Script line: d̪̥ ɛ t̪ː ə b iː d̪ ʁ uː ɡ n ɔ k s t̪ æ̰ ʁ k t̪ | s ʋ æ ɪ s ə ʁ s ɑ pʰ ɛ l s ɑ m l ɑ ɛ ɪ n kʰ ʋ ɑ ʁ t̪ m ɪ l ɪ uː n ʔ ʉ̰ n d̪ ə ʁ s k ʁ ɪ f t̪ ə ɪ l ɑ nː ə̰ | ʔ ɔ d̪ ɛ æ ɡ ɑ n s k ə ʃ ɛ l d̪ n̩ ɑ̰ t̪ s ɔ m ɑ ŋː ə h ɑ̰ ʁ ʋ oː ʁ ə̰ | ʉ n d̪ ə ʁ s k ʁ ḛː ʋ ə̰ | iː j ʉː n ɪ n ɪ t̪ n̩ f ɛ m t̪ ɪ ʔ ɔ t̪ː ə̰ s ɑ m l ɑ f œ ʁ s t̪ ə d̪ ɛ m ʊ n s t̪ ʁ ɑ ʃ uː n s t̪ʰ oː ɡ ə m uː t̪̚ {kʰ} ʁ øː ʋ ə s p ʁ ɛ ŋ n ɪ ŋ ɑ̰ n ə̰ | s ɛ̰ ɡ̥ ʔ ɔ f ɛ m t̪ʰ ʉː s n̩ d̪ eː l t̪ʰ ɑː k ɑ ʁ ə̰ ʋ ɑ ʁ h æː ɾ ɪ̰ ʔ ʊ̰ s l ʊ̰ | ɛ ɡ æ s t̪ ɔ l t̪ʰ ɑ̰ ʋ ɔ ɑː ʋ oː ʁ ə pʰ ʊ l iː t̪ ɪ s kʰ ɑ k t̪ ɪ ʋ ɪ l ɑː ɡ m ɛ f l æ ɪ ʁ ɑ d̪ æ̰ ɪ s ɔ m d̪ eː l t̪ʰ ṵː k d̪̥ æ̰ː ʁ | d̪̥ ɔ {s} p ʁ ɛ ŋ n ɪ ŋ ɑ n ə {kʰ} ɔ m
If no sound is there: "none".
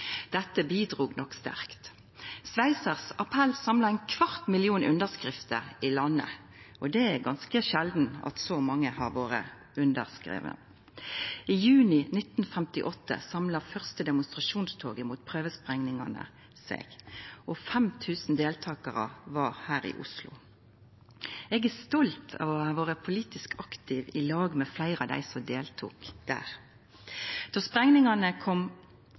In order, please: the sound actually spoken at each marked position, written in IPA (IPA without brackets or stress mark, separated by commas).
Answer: pʰ, s, kʰ